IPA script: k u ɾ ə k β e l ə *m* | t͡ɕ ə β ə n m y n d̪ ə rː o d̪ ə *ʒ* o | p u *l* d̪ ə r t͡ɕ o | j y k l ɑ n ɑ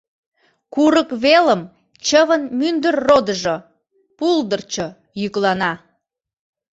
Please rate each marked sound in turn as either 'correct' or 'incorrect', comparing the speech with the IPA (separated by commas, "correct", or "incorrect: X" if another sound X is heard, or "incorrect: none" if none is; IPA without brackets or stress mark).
correct, correct, correct